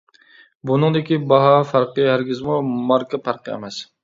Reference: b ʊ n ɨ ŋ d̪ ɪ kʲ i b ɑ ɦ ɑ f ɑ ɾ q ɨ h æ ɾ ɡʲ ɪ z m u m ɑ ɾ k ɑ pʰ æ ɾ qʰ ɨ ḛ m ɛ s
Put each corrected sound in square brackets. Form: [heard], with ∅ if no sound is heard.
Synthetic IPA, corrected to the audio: b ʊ n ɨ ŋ d̪ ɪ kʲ i b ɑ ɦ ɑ f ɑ ɾ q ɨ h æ ɾ ɡʲ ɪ z m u m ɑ ɾ k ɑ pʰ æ ɾ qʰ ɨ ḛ m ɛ s